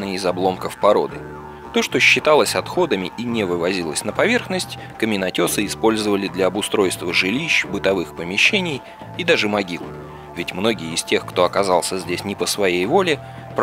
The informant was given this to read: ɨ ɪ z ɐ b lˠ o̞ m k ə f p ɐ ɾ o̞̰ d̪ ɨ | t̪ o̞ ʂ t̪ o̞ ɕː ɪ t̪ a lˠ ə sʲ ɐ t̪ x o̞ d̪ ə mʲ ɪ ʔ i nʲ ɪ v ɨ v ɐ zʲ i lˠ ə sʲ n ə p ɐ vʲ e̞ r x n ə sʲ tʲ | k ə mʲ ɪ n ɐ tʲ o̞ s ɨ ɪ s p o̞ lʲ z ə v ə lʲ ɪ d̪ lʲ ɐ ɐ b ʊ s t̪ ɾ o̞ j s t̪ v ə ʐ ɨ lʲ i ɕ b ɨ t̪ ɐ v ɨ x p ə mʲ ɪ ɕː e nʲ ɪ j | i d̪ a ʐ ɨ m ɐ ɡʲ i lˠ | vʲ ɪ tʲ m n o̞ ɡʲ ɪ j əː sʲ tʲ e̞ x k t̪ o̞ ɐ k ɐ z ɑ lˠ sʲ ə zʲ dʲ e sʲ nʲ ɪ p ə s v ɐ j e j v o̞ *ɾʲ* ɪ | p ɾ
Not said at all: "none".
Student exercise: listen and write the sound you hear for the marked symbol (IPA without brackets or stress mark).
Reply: lʲ